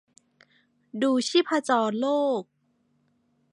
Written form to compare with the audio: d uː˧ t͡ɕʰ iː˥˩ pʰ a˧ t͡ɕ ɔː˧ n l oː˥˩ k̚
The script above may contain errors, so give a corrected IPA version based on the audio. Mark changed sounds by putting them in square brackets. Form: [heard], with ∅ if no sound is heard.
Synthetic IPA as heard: d uː˧ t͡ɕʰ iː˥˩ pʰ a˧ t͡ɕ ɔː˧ n l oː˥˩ k̚